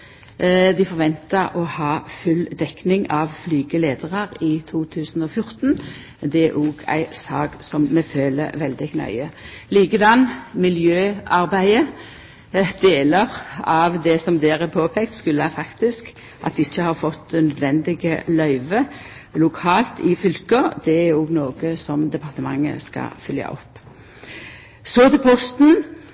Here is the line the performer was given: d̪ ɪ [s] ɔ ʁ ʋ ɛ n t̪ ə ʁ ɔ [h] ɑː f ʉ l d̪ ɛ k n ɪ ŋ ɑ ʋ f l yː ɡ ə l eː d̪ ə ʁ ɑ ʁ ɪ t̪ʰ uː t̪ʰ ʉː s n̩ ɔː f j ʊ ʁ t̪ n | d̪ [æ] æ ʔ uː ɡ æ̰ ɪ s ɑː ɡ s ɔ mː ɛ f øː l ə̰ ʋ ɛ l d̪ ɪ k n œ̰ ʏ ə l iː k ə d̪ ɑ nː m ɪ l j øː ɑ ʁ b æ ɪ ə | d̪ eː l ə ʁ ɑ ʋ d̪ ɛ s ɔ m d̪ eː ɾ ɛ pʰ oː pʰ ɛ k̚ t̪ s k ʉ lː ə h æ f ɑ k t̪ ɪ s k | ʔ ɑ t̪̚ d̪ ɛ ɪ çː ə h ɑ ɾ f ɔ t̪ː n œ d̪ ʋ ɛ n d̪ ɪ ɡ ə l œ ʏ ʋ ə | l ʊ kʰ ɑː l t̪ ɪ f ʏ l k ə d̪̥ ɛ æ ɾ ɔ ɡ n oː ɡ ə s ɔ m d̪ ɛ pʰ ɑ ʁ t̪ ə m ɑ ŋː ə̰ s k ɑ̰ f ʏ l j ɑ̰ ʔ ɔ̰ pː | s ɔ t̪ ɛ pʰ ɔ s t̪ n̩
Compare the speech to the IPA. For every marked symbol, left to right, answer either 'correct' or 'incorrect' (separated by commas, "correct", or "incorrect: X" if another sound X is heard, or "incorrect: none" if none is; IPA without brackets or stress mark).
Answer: incorrect: f, correct, incorrect: ɛ